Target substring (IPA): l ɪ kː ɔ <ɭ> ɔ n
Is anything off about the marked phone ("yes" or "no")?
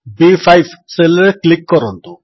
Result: yes